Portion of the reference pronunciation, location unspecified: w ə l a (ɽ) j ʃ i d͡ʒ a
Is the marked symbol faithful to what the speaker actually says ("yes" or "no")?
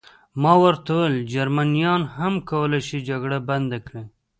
no